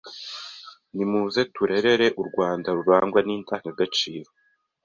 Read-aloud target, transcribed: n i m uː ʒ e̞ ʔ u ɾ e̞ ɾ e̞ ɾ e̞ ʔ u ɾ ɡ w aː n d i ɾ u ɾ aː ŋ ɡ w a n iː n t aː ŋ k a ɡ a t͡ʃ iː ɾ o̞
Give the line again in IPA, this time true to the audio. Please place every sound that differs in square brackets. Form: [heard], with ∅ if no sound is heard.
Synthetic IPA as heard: n i m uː [z] e̞ [t] u ɾ e̞ ɾ e̞ ɾ e̞ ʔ u ɾ ɡ w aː n d [a] ɾ u ɾ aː ŋ ɡ w a n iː n t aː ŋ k a ɡ a t͡ʃ iː ɾ o̞